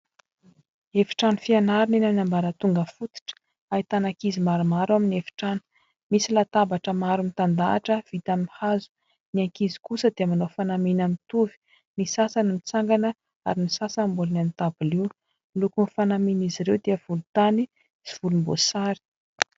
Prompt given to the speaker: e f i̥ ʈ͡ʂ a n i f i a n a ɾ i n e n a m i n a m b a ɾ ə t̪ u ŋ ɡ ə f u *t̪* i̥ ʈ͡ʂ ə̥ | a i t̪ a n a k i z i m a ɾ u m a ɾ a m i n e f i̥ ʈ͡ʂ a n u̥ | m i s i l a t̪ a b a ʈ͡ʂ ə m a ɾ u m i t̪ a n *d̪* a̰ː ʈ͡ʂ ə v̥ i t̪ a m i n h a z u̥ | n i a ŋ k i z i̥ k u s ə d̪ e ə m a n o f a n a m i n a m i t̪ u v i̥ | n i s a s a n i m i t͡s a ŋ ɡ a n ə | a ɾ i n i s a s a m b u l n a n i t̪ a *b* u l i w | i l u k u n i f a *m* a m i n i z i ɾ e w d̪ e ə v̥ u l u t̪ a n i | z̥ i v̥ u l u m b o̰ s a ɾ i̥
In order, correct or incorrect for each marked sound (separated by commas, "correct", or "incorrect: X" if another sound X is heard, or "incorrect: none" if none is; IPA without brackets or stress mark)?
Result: correct, correct, correct, incorrect: n